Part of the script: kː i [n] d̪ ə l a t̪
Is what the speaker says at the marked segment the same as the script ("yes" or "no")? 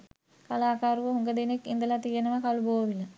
yes